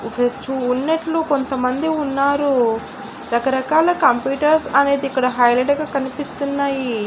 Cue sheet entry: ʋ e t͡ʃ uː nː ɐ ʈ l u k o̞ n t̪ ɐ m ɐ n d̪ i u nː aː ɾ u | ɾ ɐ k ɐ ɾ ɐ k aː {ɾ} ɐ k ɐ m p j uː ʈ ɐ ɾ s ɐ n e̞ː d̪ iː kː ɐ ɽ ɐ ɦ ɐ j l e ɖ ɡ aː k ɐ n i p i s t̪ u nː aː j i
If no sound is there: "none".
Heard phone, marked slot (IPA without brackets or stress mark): l